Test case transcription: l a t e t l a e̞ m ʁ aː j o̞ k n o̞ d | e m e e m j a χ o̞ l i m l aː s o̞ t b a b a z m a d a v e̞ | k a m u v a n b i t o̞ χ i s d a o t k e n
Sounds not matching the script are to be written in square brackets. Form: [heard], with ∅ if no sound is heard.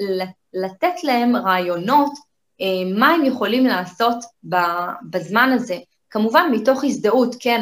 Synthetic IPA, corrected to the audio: l a t e t l a e̞ m ʁ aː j o̞ [∅] n o̞ [t] | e m [a] e m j [e] χ o̞ l i m l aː s o̞ t b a b a z m a [n] a [z] e̞ | k a m u v a n [m] i t o̞ χ i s d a [u] t k e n